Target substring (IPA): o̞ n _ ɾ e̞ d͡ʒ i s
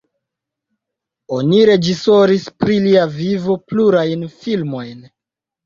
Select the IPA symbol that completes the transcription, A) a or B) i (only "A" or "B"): B